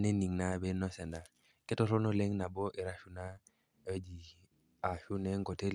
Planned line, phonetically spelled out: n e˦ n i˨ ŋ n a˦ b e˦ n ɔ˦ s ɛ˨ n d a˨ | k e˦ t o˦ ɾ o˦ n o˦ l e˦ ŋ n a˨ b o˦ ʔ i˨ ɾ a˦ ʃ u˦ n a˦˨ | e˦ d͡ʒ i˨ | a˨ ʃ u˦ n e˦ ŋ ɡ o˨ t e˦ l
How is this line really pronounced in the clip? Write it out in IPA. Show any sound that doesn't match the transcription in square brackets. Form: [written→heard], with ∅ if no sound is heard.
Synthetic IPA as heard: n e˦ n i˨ ŋ n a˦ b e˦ n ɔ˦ s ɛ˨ n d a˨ | k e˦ t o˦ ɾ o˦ n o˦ l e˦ ŋ n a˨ b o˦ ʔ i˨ ɾ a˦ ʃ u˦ n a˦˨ | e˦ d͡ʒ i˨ | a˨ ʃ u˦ n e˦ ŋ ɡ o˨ t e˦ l